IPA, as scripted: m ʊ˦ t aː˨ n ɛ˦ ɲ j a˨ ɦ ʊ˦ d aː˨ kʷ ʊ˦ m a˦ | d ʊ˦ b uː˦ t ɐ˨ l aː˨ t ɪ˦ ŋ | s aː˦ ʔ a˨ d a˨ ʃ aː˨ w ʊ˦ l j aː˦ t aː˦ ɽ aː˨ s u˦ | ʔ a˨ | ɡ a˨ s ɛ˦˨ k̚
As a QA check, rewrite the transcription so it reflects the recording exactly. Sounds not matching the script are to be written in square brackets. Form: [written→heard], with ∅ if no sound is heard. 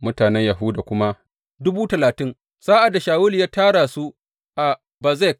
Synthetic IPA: m ʊ˦ t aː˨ n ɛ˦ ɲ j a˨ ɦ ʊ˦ d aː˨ kʷ ʊ˦ m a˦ | d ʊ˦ b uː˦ t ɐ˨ l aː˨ t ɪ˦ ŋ | s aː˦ ʔ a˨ d a˨ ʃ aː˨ w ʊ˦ l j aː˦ t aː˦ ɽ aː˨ s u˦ | ʔ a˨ | [ɡ→b] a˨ [s→z] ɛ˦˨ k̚